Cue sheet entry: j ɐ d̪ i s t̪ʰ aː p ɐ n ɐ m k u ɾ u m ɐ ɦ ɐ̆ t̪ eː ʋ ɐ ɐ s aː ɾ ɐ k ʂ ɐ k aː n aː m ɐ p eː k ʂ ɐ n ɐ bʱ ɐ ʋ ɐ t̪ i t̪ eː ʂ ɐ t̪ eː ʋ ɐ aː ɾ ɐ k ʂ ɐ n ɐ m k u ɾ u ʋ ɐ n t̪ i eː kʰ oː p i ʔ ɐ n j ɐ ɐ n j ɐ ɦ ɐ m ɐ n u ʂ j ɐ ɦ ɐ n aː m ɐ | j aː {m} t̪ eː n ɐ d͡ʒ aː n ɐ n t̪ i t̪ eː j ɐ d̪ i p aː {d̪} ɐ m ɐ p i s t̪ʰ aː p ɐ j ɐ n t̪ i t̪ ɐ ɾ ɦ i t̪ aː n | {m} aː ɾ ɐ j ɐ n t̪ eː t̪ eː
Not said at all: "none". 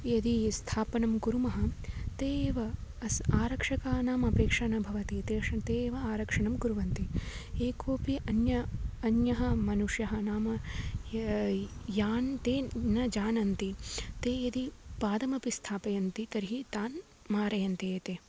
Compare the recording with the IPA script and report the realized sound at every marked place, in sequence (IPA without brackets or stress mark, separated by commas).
n, d̪, m